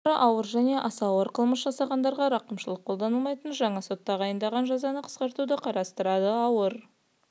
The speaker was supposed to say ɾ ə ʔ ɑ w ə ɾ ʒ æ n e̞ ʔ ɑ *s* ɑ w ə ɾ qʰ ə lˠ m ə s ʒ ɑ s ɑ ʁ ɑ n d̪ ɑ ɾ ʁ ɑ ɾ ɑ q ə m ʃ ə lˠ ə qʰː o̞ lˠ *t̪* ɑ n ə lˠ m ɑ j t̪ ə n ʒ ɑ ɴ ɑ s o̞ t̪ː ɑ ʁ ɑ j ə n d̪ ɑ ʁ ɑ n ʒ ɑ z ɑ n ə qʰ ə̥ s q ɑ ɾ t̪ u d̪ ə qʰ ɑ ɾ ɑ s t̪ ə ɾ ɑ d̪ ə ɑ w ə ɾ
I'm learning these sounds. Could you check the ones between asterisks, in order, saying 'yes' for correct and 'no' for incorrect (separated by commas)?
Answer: yes, no